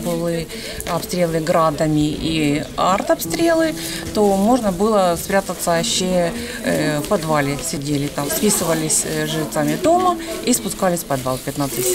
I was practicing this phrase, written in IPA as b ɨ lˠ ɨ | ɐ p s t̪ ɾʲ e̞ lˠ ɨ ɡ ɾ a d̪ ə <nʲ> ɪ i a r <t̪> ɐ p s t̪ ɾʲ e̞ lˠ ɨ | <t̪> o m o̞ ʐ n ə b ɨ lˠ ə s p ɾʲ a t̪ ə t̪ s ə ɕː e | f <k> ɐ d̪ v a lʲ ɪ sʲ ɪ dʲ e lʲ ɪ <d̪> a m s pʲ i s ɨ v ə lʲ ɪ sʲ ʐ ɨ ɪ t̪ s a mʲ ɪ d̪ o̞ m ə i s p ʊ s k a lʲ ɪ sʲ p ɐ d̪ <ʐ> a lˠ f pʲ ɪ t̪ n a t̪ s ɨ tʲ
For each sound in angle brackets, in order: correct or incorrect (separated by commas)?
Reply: incorrect, correct, correct, incorrect, incorrect, incorrect